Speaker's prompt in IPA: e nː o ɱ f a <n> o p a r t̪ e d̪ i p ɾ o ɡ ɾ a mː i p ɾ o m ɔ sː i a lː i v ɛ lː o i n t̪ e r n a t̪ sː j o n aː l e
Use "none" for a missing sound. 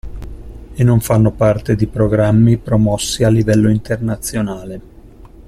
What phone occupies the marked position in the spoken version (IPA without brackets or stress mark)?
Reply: nː